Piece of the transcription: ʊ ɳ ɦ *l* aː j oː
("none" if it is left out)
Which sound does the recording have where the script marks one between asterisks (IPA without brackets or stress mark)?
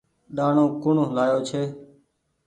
l